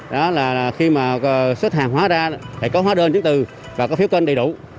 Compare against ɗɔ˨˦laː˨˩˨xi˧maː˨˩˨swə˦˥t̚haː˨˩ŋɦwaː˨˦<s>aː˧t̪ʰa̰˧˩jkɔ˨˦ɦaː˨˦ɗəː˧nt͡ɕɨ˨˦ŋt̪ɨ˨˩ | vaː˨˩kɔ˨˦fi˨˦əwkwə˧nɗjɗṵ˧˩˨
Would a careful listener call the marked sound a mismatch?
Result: yes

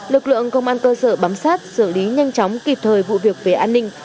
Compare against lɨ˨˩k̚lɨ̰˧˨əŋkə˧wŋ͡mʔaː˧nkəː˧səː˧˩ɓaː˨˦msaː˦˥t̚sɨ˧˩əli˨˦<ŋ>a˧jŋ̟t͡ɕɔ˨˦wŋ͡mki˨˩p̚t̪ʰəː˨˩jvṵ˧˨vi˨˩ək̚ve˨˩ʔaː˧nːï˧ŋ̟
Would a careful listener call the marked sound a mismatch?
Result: yes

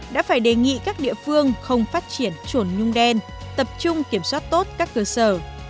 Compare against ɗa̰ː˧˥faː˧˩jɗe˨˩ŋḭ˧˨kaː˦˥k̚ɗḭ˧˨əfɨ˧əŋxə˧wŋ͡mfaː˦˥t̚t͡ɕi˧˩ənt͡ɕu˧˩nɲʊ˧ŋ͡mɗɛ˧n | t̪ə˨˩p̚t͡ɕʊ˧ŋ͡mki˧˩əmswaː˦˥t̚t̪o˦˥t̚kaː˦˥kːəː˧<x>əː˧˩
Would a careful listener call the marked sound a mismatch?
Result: yes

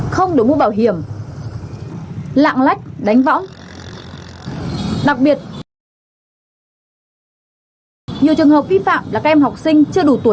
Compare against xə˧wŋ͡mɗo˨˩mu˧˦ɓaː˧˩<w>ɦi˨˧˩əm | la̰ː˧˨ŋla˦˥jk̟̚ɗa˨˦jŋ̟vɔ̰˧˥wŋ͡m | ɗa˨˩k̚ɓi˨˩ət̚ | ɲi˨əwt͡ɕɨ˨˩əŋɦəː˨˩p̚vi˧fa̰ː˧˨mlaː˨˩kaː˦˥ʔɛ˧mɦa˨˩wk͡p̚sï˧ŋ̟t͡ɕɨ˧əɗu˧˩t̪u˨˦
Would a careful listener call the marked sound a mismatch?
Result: no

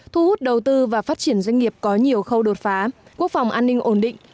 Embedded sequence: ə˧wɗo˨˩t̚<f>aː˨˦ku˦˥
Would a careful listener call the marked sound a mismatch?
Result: no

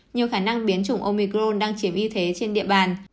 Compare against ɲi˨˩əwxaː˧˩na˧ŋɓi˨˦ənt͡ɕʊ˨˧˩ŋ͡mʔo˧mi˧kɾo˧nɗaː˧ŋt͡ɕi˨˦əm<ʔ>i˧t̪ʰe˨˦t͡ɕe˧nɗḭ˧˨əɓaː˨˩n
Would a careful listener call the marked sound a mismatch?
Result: no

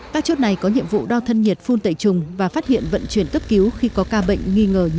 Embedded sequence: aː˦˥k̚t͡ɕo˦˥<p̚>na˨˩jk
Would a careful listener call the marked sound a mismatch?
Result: yes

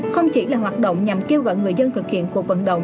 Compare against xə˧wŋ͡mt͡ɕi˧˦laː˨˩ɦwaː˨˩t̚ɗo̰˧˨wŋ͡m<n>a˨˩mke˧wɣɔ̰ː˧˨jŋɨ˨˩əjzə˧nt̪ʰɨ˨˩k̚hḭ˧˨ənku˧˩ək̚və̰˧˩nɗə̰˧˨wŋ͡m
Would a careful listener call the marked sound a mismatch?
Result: yes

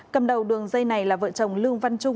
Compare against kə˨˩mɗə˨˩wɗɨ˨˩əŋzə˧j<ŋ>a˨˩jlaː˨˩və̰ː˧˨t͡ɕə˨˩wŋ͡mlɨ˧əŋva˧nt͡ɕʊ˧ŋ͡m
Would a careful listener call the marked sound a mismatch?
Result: yes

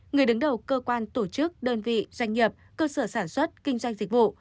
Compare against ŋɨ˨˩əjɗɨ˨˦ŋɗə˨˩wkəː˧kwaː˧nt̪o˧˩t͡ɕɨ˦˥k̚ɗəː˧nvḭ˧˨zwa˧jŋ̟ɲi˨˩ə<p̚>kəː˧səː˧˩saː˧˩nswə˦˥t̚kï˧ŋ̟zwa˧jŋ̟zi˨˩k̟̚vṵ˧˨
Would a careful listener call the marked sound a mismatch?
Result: no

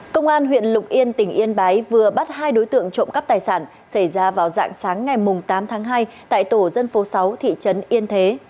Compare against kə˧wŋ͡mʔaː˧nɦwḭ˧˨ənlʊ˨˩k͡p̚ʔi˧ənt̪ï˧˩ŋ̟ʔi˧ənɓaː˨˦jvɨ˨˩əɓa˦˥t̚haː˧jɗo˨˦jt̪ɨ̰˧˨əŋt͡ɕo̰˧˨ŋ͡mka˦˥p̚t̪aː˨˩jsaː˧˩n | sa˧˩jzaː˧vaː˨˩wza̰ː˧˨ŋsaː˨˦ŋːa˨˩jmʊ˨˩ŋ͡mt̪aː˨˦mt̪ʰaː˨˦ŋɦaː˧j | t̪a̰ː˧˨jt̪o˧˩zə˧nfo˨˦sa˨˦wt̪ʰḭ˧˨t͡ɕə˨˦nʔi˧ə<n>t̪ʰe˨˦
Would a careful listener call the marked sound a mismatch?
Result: no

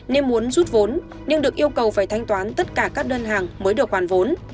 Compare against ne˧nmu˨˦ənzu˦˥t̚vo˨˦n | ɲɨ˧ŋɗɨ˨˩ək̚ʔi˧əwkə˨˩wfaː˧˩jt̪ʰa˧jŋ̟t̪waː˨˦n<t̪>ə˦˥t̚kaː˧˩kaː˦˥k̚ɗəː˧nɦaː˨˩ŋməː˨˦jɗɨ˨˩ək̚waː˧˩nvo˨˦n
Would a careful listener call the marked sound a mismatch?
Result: no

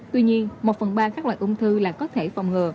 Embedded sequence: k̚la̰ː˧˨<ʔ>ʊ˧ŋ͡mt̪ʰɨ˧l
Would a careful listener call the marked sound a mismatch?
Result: no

